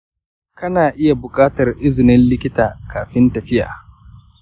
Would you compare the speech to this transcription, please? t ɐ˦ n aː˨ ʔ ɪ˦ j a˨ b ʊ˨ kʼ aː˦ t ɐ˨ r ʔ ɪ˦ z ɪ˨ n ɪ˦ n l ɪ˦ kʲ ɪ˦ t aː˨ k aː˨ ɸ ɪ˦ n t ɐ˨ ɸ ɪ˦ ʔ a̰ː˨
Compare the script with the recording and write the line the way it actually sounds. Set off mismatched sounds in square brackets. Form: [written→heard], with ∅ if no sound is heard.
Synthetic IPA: [t→k] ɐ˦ n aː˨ ʔ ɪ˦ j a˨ b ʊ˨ kʼ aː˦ t ɐ˨ r ʔ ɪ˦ z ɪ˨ n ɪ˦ n l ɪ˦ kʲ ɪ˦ t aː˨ k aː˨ ɸ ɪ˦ n t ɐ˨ ɸ ɪ˦ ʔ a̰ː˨

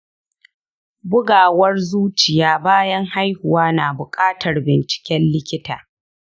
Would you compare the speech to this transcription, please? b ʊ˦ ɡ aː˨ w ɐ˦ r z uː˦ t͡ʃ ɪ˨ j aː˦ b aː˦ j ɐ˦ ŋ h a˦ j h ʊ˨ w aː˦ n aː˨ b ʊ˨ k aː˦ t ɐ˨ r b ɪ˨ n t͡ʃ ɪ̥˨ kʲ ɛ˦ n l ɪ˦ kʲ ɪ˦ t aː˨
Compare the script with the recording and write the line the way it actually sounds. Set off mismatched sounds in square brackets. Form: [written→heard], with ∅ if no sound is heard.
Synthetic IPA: b ʊ˦ ɡ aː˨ w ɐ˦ r z uː˦ t͡ʃ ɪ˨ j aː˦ b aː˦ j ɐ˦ ŋ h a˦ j h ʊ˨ w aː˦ n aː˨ b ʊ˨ [k→kʼ] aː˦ t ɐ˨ r b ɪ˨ n t͡ʃ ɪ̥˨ kʲ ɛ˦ n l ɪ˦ kʲ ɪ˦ t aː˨

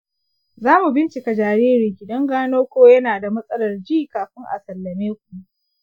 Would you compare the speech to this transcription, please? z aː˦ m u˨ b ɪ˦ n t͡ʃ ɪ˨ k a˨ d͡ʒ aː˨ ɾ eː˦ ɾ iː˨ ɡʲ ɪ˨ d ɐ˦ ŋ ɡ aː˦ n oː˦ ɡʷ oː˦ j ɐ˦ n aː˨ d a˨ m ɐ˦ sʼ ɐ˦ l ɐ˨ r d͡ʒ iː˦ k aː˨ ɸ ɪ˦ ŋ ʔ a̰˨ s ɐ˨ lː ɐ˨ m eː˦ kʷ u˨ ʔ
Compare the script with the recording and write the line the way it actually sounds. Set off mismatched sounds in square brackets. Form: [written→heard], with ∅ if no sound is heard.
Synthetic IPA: z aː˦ m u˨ b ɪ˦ n t͡ʃ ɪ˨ k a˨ d͡ʒ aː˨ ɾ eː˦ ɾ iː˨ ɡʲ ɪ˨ d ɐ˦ ŋ ɡ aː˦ n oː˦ [ɡʷ→kʷ] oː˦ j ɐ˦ n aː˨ d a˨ m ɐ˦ sʼ ɐ˦ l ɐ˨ r d͡ʒ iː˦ k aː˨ ɸ ɪ˦ ŋ ʔ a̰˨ s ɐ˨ lː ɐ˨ m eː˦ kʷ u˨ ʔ

